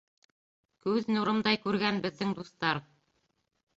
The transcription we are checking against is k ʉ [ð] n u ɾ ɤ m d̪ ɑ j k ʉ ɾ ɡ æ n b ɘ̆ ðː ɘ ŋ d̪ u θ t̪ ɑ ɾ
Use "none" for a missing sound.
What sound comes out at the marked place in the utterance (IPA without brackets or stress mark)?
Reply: ð